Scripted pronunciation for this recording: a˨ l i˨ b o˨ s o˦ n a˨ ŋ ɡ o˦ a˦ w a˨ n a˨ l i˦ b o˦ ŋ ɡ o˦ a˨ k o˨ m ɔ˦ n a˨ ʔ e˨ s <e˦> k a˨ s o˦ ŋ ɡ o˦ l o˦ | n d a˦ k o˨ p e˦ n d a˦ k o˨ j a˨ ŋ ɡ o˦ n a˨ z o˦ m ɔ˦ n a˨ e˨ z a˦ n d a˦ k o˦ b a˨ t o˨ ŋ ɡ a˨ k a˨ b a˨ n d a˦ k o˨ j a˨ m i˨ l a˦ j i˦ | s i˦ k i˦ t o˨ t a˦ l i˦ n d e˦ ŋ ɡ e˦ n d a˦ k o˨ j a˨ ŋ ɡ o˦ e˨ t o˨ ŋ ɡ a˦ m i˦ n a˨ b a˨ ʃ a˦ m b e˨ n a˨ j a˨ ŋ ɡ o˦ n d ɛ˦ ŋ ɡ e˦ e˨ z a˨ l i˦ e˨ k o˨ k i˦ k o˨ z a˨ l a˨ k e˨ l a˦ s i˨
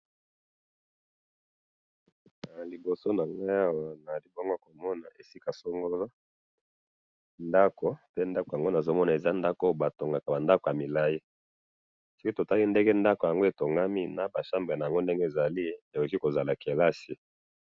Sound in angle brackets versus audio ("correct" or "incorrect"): incorrect